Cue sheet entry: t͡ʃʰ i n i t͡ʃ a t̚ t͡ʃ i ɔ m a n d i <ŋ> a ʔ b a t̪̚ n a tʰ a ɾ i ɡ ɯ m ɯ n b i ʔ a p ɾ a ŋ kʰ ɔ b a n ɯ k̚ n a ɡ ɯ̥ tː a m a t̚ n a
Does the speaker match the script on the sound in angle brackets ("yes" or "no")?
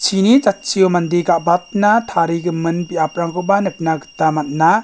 no